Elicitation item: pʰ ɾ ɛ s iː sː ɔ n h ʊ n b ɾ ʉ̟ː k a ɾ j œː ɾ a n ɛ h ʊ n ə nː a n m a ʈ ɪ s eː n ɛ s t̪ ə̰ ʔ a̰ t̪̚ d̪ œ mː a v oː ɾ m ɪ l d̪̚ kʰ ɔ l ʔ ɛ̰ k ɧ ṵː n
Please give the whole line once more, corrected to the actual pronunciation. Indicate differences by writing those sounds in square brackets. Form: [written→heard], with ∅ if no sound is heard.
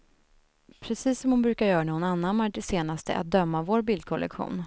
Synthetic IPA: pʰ ɾ ɛ s iː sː ɔ [n→m] h ʊ n b ɾ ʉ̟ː k a ɾ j œː ɾ a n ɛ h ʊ n [ə→a] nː a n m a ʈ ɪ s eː n [ɛ→a] s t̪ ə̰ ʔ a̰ t̪̚ d̪ œ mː a v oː ɾ [m→b] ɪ l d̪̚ kʰ ɔ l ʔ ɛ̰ k ɧ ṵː n